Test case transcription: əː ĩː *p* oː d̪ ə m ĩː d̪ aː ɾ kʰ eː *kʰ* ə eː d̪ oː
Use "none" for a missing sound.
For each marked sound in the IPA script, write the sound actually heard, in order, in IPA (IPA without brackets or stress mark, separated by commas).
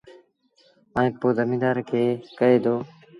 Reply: p, k